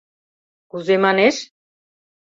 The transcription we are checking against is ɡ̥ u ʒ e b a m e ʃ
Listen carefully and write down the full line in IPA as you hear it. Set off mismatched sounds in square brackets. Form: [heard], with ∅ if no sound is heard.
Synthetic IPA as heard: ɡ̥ u [z] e [m] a [n] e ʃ